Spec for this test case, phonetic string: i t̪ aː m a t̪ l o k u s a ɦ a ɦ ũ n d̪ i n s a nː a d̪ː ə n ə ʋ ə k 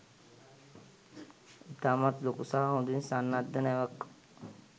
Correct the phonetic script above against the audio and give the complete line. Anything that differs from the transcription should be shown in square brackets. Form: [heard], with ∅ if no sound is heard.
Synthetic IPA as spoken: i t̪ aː m a t̪ l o k u s a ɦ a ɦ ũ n d̪ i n s a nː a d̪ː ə n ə ʋ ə k